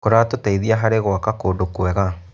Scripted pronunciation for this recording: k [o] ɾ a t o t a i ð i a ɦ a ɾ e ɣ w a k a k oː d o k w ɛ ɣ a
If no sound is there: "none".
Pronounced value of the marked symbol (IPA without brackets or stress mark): o